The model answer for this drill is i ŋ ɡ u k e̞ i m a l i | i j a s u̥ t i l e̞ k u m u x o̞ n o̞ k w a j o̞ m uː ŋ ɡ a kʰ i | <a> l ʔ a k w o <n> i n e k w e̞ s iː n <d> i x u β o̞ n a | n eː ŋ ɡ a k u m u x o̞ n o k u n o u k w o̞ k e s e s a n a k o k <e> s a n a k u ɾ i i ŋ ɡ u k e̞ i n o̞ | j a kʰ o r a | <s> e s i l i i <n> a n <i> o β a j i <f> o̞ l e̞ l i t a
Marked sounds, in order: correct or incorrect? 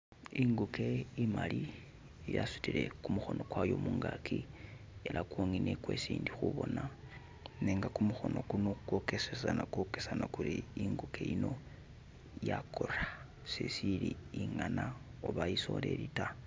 incorrect, incorrect, correct, correct, correct, incorrect, incorrect, incorrect

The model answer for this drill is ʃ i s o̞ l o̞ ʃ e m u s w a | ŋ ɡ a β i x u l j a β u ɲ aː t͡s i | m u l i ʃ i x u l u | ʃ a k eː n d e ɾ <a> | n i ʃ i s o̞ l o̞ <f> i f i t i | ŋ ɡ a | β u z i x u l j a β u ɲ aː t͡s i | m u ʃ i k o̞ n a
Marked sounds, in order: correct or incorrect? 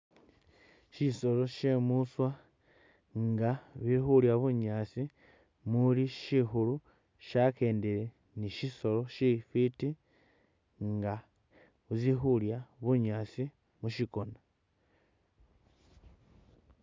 incorrect, incorrect

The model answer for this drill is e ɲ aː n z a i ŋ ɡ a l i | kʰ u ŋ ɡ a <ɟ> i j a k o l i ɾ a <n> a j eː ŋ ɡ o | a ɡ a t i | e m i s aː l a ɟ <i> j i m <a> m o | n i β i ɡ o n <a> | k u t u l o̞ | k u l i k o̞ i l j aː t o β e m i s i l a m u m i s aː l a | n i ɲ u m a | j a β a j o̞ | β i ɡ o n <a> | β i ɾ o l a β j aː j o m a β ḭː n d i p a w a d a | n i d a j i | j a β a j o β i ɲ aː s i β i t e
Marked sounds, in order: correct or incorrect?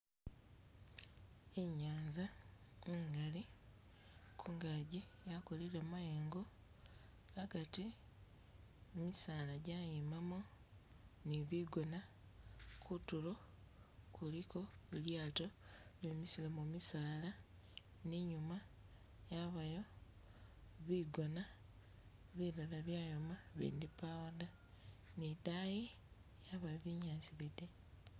correct, incorrect, incorrect, correct, correct, correct

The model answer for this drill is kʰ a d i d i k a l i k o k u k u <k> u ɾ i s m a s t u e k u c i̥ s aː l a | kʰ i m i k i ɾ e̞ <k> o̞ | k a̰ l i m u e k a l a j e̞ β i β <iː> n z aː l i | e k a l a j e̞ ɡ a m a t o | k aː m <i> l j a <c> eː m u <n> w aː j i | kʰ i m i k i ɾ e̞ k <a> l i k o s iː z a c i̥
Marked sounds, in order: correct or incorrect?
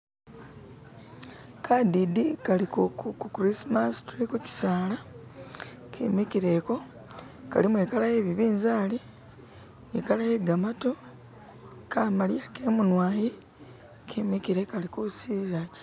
correct, correct, correct, incorrect, incorrect, correct, correct

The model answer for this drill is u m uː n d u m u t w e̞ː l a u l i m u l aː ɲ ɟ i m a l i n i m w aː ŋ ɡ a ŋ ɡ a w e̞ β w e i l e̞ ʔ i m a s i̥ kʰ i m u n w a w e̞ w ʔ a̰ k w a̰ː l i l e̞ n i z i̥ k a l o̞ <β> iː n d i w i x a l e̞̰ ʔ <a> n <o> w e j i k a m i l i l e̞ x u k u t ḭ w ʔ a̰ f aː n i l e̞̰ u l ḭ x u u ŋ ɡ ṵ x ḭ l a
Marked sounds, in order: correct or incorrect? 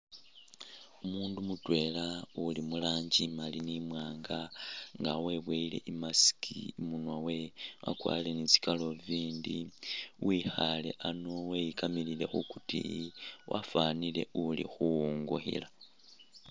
incorrect, correct, correct

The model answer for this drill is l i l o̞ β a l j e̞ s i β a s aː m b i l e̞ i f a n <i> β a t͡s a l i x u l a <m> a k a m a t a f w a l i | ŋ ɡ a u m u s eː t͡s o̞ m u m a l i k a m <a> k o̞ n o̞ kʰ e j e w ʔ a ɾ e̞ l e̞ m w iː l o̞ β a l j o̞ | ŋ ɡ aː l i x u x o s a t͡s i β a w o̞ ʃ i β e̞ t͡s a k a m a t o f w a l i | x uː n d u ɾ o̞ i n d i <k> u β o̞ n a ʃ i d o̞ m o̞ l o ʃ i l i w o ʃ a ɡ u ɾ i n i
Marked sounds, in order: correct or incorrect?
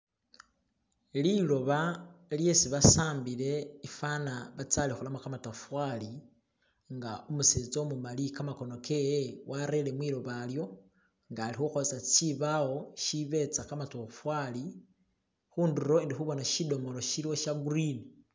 incorrect, correct, correct, incorrect

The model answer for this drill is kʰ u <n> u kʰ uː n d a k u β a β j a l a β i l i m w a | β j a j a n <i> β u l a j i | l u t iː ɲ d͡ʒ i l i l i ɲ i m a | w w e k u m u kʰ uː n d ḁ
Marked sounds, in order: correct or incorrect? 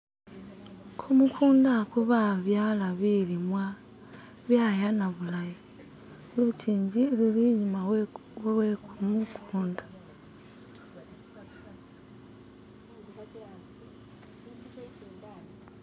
incorrect, incorrect

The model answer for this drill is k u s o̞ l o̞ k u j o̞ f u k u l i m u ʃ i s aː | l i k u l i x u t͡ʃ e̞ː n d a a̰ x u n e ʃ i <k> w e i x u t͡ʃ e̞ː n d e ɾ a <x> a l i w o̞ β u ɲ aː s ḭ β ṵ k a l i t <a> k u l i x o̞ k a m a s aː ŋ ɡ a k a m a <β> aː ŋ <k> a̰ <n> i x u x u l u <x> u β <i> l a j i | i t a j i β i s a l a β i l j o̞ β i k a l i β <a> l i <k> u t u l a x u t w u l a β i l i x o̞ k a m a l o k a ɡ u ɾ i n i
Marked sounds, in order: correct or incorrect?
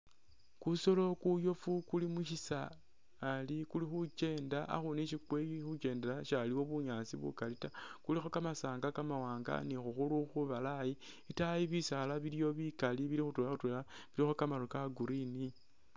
correct, incorrect, correct, incorrect, incorrect, correct, correct, incorrect, incorrect, incorrect

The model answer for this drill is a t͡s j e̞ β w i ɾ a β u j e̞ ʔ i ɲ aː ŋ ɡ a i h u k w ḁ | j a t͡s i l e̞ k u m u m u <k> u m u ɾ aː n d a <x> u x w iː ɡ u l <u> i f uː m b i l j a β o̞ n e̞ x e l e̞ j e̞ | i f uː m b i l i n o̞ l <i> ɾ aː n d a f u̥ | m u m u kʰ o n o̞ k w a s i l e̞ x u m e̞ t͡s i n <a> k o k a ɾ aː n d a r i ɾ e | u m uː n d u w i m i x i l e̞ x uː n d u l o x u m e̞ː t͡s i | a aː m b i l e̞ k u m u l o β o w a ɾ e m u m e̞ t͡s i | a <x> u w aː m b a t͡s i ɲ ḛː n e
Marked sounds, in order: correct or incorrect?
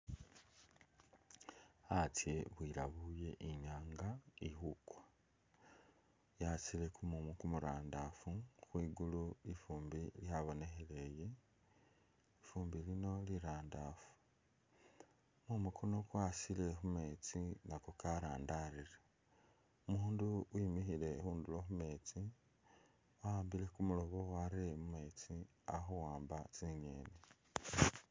correct, incorrect, correct, correct, correct, correct

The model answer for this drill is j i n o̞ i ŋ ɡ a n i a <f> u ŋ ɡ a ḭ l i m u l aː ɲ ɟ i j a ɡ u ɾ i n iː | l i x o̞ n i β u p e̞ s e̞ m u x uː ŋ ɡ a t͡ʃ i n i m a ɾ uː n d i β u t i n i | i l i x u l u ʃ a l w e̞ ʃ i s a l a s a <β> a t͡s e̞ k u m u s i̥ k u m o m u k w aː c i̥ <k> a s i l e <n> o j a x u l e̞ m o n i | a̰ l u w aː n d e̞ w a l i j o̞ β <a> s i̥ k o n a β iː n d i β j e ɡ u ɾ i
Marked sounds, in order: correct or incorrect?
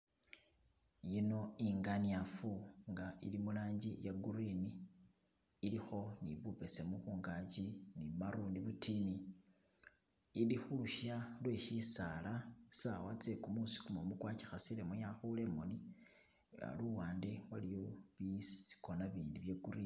correct, incorrect, incorrect, incorrect, incorrect

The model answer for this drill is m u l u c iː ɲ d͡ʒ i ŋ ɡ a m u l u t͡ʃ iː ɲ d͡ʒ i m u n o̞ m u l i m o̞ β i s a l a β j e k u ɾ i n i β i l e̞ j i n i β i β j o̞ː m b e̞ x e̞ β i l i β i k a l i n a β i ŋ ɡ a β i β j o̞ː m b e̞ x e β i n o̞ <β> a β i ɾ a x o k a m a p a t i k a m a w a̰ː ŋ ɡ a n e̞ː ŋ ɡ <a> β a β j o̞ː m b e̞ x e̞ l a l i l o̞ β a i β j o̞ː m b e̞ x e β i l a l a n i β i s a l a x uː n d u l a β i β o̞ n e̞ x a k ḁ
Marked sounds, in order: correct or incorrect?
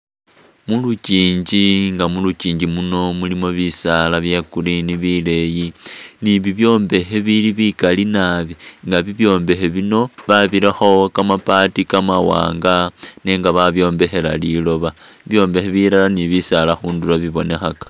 correct, correct

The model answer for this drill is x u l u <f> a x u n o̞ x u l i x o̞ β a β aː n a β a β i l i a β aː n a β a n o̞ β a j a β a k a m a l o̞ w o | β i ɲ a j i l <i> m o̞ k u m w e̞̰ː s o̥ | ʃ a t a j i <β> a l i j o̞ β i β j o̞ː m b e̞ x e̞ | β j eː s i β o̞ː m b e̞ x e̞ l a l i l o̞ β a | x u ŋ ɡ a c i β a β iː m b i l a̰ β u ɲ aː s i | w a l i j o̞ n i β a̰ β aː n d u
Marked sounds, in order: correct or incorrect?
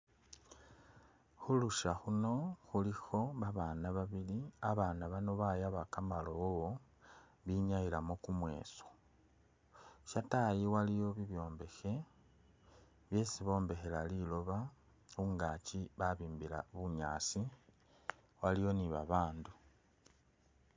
incorrect, incorrect, incorrect

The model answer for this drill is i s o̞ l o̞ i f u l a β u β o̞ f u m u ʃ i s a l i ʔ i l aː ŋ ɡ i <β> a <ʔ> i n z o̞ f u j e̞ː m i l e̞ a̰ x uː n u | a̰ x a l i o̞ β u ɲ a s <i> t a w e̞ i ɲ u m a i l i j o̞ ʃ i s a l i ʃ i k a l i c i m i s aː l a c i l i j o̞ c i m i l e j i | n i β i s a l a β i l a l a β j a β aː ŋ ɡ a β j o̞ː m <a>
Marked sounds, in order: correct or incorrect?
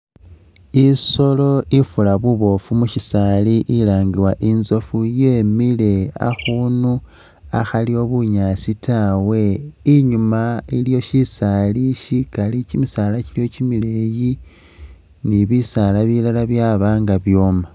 incorrect, correct, correct, correct

